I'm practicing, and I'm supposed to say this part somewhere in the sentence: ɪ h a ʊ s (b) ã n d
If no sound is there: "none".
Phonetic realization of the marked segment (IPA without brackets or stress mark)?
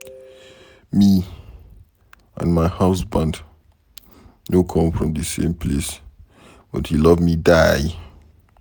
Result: b